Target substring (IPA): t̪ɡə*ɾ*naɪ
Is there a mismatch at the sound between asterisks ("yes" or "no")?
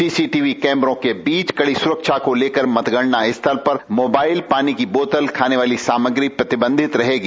yes